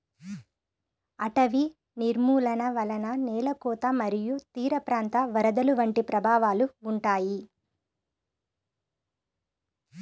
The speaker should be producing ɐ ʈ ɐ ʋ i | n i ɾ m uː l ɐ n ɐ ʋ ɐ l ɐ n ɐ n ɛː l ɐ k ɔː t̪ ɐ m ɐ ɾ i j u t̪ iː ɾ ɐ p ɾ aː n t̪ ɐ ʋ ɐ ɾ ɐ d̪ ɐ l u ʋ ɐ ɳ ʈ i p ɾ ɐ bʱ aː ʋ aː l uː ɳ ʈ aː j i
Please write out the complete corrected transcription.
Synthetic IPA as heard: ɐ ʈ ɐ ʋ i | n i ɾ m uː l ɐ n ɐ ʋ ɐ l ɐ n ɐ n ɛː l ɐ k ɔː t̪ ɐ m ɐ ɾ i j u t̪ iː ɾ ɐ p ɾ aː n t̪ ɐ ʋ ɐ ɾ ɐ d̪ ɐ l u ʋ ɐ ɳ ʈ i p ɾ ɐ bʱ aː ʋ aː l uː ɳ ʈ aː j i

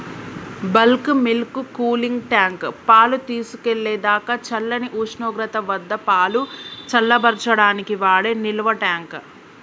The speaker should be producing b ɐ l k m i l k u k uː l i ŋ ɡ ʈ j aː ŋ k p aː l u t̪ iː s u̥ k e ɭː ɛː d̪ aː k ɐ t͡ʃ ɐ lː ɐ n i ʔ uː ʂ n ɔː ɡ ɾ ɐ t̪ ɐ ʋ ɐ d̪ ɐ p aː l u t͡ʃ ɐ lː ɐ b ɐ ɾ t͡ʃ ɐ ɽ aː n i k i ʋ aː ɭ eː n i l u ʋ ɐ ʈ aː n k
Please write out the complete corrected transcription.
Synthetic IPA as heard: b ɐ l k m i l k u k uː l i ŋ ɡ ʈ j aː ŋ k p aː l u t̪ iː s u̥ k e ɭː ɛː d̪ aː k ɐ t͡ʃ ɐ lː ɐ n i ʔ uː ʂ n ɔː ɡ ɾ ɐ t̪ ɐ ʋ ɐ d̪ː ɐ p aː l u t͡ʃ ɐ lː ɐ b ɐ ɾ t͡ʃ ɐ ɽ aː n i k i ʋ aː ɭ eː n i l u ʋ ɐ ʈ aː ŋ k

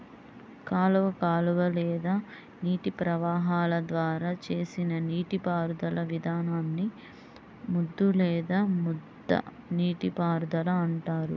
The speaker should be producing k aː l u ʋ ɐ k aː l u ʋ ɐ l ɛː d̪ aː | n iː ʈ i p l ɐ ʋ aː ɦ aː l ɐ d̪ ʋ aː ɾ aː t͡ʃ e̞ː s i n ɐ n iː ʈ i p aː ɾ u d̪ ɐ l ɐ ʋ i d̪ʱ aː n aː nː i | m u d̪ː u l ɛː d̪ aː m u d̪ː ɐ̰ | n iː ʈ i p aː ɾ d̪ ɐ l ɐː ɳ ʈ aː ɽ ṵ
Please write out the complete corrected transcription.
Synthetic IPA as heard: k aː l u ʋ ɐ k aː l u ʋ ɐ l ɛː d̪ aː | n iː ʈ i p ɾ ɐ ʋ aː ɦ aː l ɐ d̪ ʋ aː ɾ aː t͡ʃ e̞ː s i n ɐ n iː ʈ i p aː ɾ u d̪ ɐ l ɐ ʋ i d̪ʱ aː n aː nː i | m u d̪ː u l ɛː d̪ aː m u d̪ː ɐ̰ | n iː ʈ i p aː ɾ d̪ ɐ l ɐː ɳ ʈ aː ɾ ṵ

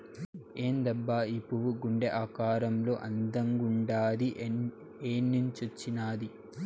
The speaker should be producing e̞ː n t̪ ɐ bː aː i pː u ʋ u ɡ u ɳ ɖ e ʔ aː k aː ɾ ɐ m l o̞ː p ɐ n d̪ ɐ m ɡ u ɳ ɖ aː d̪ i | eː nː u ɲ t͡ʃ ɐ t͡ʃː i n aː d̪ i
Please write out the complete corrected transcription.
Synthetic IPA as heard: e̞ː n d̪ ɐ bː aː i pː u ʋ u ɡ u ɳ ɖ e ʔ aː k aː ɾ ɐ m l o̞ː ʔ ɐ n d̪ ɐ ŋ ɡ u ɳ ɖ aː d̪ i | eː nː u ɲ t͡ʃ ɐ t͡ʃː i n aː d̪ i

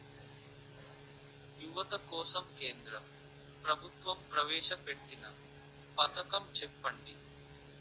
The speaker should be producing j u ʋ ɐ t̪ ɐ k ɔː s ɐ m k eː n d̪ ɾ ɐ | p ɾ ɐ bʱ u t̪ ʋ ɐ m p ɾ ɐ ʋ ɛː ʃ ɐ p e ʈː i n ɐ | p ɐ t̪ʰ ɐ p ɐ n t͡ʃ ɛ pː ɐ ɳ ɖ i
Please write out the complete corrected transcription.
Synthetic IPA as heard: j u ʋ ɐ t̪ ɐ k ɔː s ɐ m k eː n d̪ ɾ ɐ | p ɾ ɐ bʱ u t̪ ʋ ɐ m p ɾ ɐ ʋ ɛː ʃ ɐ p e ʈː i n ɐ | p ɐ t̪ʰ ɐ k ɐ m t͡ʃ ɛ pː ɐ ɳ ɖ i

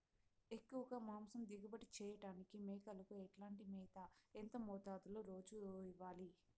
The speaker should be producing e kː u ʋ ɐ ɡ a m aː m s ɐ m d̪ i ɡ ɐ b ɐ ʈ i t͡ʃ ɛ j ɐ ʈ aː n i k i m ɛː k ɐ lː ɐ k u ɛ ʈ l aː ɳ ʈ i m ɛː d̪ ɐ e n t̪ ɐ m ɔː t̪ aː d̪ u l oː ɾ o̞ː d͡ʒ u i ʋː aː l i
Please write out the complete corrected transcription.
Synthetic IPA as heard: e kː u ʋ ɐ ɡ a m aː m s ɐ m d̪ i ɡ ɐ b ɐ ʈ i t͡ʃ ɛː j ɐ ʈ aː n i k i m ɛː k ɐ l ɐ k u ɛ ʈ l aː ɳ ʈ i m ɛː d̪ ɐ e n t̪ ɐ m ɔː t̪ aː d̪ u l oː ɾ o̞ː d͡ʒ u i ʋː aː l i

